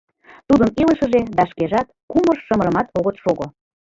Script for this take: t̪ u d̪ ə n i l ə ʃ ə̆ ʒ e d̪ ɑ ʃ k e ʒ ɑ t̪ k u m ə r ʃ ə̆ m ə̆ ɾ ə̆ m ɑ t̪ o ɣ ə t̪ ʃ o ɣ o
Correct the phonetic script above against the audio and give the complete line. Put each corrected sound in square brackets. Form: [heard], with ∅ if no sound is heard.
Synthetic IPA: t̪ u d̪ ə n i l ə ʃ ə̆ ʒ e d̪ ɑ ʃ k e ʒ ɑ t̪ k u m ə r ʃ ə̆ m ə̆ ɾ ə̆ m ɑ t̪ o ɣ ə t̪ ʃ o ɣ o

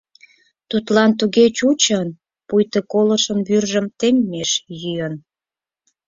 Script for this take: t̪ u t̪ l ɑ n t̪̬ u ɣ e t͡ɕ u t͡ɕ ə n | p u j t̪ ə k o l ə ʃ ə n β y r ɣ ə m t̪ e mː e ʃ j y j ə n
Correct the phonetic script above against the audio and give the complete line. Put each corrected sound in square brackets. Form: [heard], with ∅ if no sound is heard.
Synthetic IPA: t̪ u t̪ l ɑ n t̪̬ u ɣ e t͡ɕ u t͡ɕ ə n | p u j t̪ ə k o l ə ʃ ə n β y r [ʒ] ə m t̪ e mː e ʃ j y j ə n

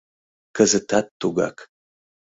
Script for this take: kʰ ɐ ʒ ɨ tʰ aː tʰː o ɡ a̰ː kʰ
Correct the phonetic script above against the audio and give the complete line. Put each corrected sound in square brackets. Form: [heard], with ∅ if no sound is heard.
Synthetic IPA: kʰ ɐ [z] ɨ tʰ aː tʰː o ɡ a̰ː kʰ

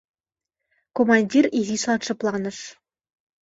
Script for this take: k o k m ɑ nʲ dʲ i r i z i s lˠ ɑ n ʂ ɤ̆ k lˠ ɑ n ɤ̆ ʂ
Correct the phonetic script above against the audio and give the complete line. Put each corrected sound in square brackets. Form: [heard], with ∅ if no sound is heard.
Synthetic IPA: k o [∅] m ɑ nʲ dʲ i r i z i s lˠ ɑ n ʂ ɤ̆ [p] lˠ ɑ n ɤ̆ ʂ

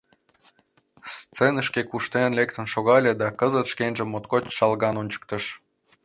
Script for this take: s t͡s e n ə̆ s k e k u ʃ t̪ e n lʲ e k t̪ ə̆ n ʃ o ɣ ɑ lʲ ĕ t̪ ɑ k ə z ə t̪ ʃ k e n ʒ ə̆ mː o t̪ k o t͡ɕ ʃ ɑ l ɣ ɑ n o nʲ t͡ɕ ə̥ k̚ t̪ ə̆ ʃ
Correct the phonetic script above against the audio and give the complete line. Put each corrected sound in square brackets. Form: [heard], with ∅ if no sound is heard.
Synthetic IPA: s t͡s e n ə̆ [ʃ] k e k u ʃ t̪ e n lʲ e k t̪ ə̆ n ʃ o ɣ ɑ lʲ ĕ [d̪] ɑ k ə z ə t̪ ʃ k e n ʒ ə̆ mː o t̪ k o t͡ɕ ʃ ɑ l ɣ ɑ n o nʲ t͡ɕ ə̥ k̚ t̪ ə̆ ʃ

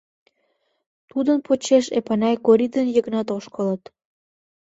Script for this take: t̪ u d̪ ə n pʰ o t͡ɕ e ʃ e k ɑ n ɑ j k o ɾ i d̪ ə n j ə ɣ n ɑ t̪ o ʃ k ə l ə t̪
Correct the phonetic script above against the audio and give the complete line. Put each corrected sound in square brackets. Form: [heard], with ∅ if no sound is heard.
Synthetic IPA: t̪ u d̪ ə n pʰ o t͡ɕ e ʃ e [p] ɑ n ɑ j k o ɾ i d̪ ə n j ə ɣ n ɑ t̪ o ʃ k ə l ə t̪

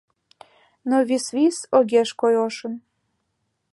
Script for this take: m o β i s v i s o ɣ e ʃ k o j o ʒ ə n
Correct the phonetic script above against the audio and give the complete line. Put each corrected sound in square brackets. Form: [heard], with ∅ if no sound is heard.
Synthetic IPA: [n] o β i s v i s o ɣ e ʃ k o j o [ʃ] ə n

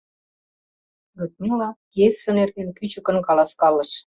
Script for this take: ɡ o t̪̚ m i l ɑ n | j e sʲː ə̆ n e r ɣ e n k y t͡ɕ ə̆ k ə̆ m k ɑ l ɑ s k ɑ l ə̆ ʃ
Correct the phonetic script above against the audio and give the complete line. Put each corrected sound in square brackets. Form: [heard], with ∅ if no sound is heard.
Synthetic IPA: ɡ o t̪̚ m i l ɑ [∅] | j e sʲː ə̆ n e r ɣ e n k y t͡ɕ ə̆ k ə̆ [n] k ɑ l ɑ s k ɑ l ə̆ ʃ

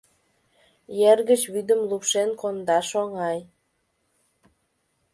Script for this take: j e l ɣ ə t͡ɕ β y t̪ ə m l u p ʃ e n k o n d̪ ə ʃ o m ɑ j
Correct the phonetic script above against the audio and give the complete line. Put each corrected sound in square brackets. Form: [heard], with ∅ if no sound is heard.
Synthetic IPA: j e [r] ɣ ə t͡ɕ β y [d̪] ə m l u p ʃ e n k o n d̪ [ɑ] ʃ o [ŋ] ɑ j

